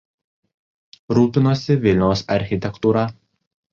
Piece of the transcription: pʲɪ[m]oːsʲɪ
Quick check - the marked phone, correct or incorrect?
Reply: incorrect